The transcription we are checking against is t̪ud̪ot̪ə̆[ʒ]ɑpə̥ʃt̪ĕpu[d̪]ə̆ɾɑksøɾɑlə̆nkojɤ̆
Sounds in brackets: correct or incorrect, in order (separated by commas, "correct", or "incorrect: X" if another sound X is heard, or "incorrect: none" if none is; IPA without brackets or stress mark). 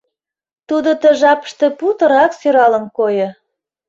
correct, incorrect: t̪